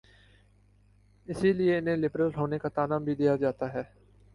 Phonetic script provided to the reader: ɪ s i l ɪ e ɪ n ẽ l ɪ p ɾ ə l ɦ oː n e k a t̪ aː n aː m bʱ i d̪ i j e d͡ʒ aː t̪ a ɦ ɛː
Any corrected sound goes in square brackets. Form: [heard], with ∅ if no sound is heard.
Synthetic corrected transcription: ɪ s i l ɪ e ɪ n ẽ l ɪ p ɾ ə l ɦ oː n e k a t̪ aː n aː m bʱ i d̪ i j [a] d͡ʒ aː t̪ a ɦ ɛː